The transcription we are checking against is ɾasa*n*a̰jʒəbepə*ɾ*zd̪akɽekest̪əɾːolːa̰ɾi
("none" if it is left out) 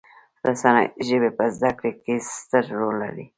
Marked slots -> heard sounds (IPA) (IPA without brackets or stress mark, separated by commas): n, none